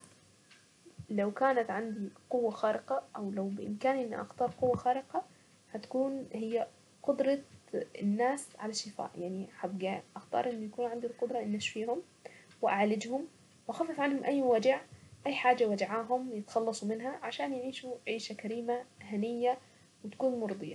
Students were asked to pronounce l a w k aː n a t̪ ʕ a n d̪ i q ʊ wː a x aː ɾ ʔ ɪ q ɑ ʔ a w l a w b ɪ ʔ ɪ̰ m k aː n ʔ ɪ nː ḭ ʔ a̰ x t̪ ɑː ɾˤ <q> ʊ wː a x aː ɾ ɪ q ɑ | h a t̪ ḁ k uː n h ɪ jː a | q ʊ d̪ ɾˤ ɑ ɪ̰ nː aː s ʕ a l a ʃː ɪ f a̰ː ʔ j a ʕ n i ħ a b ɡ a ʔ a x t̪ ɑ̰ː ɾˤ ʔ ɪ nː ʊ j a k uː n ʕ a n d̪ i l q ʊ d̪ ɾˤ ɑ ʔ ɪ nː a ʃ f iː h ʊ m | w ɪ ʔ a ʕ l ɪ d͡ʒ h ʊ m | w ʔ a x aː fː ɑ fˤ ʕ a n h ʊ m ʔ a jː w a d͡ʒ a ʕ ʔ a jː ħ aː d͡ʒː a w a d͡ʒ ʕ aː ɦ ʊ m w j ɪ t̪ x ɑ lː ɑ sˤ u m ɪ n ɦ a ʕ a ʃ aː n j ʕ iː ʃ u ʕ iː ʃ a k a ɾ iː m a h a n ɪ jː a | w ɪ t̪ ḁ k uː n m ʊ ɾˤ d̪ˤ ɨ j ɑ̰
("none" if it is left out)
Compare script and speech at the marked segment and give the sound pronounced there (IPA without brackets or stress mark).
q